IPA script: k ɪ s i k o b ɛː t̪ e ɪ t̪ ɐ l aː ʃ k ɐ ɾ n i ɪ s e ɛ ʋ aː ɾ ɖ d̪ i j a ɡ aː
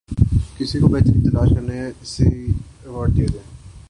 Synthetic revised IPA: k ɪ s i k o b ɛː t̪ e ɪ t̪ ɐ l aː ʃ k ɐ ɾ n e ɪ s e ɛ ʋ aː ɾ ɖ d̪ i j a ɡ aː